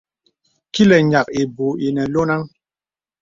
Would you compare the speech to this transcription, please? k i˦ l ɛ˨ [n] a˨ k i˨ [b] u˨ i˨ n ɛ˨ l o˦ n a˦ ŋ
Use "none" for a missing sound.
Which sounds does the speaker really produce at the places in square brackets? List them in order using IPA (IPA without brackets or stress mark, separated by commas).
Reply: ɲ, b